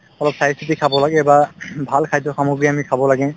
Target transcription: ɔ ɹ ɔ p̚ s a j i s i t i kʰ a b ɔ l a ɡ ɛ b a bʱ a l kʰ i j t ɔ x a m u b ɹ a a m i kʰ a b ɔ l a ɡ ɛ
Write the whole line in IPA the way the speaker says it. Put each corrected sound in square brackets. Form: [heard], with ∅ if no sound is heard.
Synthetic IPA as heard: ɔ [l] ɔ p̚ s a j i s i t i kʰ a b ɔ l a ɡ ɛ b a bʱ a l kʰ [a] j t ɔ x a m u [ɡ] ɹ [i] a m i kʰ a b ɔ l a ɡ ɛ